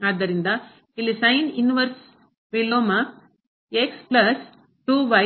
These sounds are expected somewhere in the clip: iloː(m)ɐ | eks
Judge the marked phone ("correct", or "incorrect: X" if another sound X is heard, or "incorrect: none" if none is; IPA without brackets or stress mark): correct